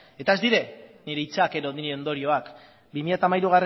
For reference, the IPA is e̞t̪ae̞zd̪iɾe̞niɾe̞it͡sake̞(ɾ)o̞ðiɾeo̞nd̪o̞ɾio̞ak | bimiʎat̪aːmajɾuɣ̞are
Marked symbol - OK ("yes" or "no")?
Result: yes